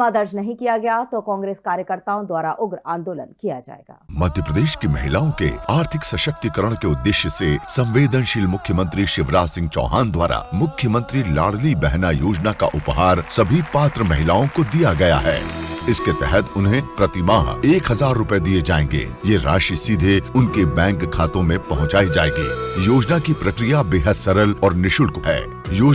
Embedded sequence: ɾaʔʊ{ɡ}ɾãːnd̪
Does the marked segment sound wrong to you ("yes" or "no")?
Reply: no